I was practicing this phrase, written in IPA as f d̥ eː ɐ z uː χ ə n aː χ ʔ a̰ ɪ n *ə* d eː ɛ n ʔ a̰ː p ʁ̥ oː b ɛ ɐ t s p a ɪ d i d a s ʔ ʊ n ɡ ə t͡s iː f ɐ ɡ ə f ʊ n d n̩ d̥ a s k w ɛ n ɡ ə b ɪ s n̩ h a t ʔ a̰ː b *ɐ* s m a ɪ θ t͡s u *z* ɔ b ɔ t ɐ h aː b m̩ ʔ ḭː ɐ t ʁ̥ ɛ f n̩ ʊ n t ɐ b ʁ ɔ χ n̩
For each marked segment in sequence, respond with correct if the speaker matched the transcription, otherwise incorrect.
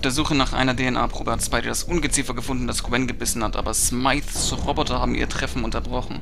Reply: incorrect: ɐ, correct, incorrect: ʁ

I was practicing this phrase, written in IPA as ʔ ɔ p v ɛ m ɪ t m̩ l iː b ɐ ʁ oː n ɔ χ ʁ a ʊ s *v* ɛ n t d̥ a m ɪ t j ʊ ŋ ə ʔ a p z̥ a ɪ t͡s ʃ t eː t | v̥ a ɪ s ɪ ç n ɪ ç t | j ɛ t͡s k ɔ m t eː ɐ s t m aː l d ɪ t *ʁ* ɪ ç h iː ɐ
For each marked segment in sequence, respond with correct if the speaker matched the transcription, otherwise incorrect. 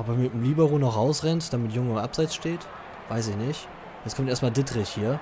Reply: incorrect: ʁ, correct

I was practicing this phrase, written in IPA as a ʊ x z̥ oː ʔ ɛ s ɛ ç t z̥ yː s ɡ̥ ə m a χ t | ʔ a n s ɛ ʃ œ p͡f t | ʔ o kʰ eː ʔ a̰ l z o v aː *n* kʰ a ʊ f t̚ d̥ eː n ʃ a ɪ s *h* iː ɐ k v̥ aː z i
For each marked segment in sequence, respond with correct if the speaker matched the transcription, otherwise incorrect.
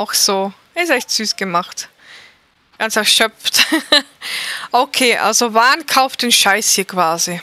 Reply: correct, correct

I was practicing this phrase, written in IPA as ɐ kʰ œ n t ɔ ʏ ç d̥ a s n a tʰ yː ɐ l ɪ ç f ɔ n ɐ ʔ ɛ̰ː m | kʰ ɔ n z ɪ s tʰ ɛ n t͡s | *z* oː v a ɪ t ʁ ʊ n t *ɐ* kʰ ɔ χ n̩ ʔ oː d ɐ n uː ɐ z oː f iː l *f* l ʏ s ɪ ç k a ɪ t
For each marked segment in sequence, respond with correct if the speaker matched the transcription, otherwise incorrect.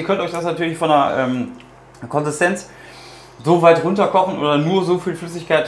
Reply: correct, correct, correct

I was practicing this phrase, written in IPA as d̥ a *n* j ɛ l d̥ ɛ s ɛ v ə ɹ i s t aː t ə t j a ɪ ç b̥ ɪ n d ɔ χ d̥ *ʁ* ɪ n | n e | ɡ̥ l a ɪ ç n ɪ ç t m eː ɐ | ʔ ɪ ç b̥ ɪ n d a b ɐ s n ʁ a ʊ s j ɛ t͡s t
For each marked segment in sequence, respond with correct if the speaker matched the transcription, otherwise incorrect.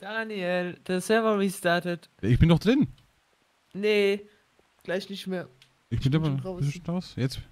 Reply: correct, correct

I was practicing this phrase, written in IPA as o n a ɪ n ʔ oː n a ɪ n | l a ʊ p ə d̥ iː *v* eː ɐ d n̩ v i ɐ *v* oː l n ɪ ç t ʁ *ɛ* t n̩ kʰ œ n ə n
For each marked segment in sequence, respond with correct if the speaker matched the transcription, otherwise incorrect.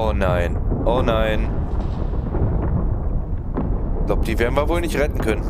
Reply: correct, correct, correct

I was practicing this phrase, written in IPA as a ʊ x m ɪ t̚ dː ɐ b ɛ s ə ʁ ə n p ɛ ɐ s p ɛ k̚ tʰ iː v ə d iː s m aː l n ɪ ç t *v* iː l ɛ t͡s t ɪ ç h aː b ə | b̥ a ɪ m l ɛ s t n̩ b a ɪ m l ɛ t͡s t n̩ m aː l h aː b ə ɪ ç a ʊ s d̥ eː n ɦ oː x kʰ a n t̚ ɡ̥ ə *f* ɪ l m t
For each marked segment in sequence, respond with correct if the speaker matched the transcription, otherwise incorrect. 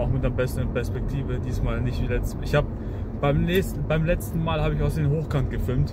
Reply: correct, correct

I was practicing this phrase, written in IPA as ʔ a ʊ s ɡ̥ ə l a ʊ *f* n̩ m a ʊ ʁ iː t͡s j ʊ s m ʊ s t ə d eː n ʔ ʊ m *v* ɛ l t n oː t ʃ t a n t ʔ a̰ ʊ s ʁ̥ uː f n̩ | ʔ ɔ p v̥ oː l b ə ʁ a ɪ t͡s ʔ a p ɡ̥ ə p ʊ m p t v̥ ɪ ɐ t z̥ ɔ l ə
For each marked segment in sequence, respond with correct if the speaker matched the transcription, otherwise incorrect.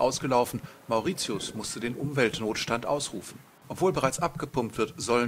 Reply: correct, correct

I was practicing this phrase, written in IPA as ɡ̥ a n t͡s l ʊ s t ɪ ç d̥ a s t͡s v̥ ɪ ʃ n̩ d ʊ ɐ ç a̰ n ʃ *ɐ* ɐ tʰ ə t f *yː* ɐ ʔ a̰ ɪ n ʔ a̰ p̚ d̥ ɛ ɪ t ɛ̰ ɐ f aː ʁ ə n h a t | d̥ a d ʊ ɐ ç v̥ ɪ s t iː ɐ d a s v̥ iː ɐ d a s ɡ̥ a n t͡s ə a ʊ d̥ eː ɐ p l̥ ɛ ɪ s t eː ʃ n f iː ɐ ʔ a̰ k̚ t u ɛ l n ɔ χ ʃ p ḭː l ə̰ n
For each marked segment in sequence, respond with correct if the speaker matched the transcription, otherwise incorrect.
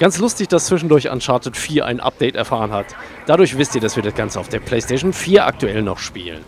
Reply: incorrect: a, incorrect: iː

